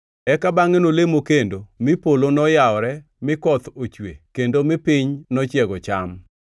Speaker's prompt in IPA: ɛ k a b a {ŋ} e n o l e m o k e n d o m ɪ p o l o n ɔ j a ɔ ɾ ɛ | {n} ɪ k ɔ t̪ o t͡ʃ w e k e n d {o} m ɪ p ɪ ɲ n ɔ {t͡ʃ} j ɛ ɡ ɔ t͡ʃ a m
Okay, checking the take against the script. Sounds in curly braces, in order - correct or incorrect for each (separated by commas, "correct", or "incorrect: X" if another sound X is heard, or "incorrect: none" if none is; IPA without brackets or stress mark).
correct, incorrect: m, correct, correct